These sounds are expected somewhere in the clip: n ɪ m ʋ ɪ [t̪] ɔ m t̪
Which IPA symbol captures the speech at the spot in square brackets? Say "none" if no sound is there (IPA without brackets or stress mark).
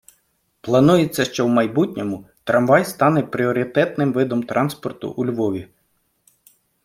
d̪